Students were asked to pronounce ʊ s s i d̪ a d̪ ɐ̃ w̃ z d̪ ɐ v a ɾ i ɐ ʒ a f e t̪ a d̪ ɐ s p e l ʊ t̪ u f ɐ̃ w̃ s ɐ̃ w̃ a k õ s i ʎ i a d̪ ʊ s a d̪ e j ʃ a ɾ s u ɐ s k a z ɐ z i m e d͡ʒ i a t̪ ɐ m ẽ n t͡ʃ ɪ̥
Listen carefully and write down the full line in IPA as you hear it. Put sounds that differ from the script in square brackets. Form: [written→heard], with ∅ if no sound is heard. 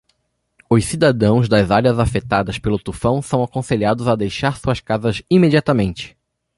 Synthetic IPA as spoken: ʊ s s i d̪ a d̪ ɐ̃ w̃ z d̪ ɐ [v→z] a ɾ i ɐ [ʒ→z] a f e t̪ a d̪ ɐ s p e l ʊ t̪ u f ɐ̃ w̃ s ɐ̃ w̃ a k õ s [i→e] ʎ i a d̪ ʊ [s→z] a d̪ e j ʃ a ɾ s u ɐ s k a z ɐ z i m e d͡ʒ i a t̪ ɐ m ẽ n t͡ʃ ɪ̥